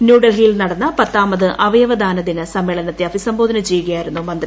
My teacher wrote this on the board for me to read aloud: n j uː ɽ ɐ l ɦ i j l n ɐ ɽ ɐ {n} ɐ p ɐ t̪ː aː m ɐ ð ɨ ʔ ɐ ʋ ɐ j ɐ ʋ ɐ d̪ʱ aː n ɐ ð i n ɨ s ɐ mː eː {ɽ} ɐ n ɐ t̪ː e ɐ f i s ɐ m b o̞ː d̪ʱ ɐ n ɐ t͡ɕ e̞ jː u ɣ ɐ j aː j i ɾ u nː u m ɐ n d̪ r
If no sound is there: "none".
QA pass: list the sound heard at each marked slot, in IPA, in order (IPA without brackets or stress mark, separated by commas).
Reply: nː, ɭ